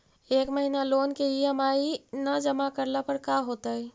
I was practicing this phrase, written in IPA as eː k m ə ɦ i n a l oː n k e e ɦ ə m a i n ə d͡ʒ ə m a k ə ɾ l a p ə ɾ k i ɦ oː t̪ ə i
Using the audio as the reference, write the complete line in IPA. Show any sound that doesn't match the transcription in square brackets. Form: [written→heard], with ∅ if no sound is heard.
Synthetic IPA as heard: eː k m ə ɦ i n a l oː n k e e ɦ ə m a i n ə d͡ʒ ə m a k ə ɾ l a p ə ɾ k [i→a] ɦ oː t̪ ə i